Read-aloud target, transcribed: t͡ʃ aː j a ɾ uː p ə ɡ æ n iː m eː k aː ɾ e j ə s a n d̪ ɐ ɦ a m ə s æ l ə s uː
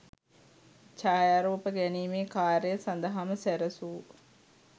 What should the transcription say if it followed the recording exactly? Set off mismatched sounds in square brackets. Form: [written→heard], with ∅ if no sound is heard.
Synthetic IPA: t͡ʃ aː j a ɾ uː p ə ɡ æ n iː m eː k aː ɾ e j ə s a n d̪ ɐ ɦ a m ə s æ [l→ɾ] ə s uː